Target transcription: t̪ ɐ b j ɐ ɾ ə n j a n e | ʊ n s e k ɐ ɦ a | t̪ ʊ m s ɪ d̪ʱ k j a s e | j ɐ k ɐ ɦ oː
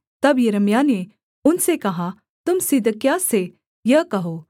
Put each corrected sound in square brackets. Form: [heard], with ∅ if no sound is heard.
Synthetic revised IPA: t̪ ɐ b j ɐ ɾ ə [m] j a n e | ʊ n s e k ɐ ɦ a | t̪ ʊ m s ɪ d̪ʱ k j a s e | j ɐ k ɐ ɦ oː